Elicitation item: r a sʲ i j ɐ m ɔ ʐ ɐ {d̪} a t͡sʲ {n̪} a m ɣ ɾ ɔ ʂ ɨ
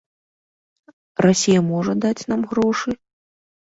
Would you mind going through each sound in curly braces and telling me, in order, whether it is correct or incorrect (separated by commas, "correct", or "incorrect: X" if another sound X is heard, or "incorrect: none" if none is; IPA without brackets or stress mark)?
correct, correct